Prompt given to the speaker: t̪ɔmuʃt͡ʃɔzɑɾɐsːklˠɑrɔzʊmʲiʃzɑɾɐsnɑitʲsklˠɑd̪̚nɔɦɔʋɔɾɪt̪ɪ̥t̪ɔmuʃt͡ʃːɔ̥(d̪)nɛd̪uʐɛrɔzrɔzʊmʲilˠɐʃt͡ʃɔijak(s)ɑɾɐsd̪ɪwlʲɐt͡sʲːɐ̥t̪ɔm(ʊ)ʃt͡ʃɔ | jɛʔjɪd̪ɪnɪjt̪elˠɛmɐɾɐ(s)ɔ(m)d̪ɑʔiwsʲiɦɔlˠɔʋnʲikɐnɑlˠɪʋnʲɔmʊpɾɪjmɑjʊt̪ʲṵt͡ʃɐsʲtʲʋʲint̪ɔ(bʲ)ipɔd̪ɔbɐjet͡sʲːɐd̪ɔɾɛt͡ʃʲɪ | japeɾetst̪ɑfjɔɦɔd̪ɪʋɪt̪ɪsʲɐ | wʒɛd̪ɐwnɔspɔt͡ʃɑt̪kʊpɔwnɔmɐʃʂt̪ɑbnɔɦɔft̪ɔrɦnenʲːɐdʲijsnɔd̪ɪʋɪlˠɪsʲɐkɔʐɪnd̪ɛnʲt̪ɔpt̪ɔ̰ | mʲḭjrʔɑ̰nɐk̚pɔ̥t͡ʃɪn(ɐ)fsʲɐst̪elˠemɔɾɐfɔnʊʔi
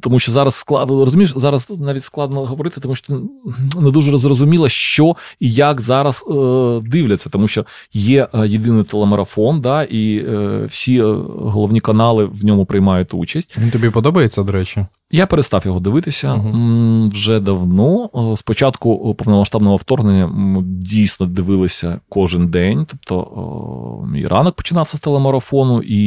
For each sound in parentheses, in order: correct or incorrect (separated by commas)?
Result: incorrect, incorrect, incorrect, incorrect, incorrect, correct, incorrect